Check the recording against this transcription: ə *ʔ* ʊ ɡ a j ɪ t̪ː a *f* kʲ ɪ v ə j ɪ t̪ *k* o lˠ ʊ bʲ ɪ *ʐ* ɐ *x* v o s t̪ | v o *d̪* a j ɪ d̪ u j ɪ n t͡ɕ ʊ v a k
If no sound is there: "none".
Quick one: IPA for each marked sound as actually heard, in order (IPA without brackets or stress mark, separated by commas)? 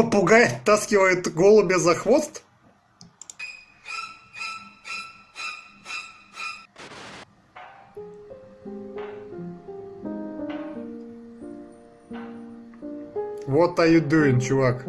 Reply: p, s, ɡ, z, x, t̪